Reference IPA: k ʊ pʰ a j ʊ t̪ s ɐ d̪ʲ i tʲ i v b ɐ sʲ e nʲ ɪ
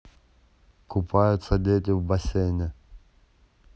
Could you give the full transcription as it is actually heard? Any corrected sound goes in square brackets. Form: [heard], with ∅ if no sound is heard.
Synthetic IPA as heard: k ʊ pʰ a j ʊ t̪ s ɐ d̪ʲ [e] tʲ [ɪ] v b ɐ sʲ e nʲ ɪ